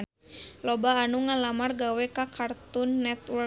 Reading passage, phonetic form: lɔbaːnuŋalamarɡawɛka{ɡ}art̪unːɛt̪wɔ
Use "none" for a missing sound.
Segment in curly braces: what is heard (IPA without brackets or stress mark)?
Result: k